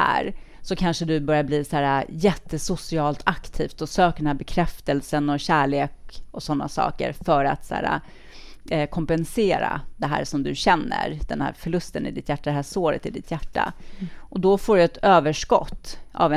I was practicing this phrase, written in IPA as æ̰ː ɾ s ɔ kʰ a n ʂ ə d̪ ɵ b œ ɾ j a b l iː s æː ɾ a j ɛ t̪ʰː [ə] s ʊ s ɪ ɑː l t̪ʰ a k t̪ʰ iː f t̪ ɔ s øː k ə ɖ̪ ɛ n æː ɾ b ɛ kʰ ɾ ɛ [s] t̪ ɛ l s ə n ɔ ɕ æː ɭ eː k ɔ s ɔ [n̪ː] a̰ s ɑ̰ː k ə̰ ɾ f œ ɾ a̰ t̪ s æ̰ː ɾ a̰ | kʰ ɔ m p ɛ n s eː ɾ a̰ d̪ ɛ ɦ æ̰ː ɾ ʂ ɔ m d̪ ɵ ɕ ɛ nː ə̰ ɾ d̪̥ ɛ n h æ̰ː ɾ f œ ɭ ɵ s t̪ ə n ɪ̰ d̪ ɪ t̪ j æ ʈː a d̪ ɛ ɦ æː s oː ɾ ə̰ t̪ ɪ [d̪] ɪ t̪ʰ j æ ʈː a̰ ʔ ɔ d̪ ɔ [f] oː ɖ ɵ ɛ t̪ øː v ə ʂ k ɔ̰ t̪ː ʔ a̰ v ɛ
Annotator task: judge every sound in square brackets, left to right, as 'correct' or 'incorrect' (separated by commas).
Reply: correct, incorrect, correct, correct, correct